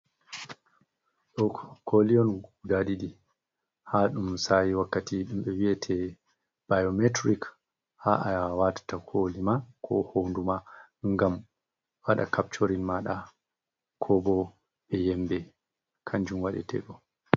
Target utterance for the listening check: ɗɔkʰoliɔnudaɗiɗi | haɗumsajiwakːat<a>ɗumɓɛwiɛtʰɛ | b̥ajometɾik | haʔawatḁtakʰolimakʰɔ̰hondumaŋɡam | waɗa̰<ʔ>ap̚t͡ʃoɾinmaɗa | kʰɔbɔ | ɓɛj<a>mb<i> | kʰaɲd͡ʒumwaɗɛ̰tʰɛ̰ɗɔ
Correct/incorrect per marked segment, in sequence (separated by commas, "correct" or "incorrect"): incorrect, incorrect, incorrect, incorrect